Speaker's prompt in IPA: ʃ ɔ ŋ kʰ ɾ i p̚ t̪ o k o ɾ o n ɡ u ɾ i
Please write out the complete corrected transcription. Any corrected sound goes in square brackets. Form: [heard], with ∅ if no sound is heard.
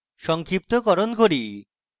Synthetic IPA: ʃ ɔ ŋ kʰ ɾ i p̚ t̪ o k [ɔ] ɾ o n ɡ [o] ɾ i

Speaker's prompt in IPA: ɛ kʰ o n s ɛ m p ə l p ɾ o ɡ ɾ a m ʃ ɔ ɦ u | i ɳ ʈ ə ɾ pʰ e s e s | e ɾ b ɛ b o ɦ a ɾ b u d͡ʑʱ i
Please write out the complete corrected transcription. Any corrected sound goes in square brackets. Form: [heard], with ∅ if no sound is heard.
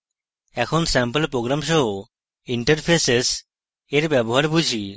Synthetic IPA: ɛ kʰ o n s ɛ m p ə l p ɾ o ɡ ɾ a m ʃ ɔ ɦ [o] | i ɳ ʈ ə ɾ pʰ e s e s | e ɾ b ɛ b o ɦ a ɾ b u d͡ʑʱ i

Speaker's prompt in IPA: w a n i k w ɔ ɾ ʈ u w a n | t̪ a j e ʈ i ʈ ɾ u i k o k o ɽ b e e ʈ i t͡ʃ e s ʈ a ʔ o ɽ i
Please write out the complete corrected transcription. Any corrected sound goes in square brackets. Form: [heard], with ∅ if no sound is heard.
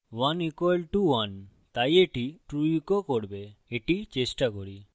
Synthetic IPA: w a n i k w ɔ [l] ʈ u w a n | t̪ a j e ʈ i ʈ ɾ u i k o k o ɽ b e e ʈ i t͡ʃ e s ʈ a [k] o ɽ i

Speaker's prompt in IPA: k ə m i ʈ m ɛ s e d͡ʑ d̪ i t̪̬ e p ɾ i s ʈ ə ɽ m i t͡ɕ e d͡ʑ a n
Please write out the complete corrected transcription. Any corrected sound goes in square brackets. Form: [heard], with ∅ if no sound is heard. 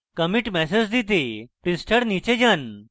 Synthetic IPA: k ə m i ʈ m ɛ s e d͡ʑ d̪ i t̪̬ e p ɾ i s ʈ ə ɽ [n] i t͡ɕ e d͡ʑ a n

